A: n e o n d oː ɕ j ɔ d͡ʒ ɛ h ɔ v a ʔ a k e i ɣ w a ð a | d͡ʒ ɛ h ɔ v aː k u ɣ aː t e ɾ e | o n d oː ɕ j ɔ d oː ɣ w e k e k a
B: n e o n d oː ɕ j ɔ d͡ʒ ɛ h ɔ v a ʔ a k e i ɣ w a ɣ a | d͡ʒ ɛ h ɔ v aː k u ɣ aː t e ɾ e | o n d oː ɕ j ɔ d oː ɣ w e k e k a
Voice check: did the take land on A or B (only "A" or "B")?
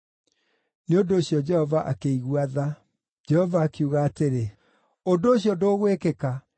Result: A